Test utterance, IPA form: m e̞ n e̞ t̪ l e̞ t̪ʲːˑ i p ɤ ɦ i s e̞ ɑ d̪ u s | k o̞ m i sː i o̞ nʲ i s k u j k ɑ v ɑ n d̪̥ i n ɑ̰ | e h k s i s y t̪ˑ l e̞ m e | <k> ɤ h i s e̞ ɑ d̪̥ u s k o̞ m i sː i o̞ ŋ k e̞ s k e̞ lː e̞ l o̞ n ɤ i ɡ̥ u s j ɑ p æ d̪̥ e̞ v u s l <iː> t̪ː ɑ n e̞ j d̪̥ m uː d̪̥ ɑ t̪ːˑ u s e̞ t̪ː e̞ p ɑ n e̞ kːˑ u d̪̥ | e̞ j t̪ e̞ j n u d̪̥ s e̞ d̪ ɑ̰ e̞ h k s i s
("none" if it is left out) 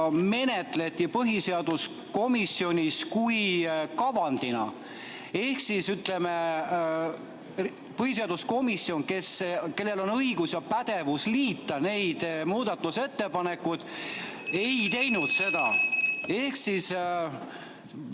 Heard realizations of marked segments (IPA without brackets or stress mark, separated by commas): p, iː